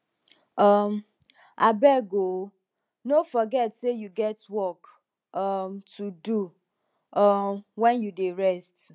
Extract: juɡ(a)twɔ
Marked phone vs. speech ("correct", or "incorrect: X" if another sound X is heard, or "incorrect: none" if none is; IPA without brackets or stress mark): incorrect: ɛ